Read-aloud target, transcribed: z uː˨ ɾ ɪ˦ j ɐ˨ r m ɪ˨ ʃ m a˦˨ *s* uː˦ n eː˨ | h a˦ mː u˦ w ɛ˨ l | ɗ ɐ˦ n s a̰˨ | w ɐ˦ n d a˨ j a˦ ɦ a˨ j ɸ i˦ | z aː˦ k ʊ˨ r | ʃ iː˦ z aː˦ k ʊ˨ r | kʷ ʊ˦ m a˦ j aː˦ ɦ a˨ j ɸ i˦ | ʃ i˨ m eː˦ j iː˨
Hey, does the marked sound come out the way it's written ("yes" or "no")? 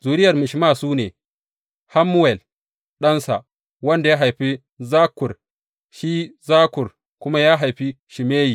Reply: yes